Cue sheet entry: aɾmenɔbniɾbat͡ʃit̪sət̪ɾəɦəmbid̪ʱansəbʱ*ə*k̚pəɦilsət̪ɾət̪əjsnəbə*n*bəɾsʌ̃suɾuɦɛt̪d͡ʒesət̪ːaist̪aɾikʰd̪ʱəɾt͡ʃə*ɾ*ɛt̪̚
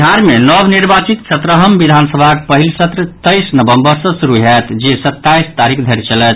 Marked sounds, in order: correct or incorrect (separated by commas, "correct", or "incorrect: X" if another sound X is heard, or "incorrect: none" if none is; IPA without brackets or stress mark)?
incorrect: a, incorrect: m, incorrect: l